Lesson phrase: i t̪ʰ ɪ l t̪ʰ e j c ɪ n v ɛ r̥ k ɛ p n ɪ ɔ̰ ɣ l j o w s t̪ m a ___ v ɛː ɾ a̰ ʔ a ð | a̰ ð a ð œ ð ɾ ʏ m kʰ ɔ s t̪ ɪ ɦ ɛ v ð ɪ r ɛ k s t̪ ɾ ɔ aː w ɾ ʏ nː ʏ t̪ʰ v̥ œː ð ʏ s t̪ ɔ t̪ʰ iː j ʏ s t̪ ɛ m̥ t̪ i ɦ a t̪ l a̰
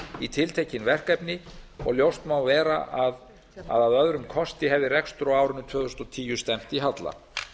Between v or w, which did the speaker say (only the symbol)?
w